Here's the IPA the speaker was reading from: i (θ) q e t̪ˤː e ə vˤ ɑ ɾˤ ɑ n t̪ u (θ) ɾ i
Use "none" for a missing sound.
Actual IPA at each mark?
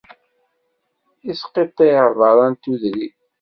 s, ð

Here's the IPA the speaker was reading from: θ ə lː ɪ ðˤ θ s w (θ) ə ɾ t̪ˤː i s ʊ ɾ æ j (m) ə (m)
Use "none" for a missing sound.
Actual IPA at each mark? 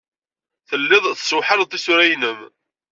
ħ, n, m

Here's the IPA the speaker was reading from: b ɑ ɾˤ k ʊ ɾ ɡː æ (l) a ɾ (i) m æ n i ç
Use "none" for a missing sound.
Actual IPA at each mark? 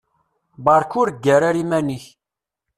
ɾ, i

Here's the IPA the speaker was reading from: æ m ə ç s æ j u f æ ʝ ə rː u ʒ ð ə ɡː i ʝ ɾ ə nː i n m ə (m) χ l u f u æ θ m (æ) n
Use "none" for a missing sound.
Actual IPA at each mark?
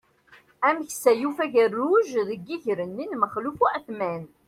none, æ

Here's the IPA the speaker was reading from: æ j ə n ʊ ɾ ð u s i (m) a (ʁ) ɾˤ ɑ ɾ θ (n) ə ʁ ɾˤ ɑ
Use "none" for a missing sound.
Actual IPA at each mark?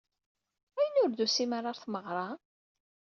m, none, m

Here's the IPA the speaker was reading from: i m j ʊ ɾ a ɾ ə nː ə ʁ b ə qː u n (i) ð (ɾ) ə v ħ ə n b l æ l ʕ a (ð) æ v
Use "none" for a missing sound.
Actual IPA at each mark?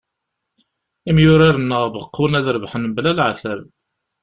æ, ɾ, θ

